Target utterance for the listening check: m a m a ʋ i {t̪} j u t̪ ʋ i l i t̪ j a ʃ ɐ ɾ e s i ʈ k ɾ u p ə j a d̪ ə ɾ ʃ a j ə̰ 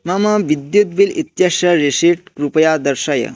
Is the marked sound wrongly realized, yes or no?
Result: yes